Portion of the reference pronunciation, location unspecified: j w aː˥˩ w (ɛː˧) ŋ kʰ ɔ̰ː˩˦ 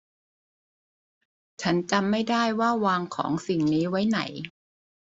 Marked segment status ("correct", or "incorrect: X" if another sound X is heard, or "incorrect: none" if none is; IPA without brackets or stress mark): incorrect: aː˧